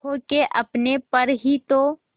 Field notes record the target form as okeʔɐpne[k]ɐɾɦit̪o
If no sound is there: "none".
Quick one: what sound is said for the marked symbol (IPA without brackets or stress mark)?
p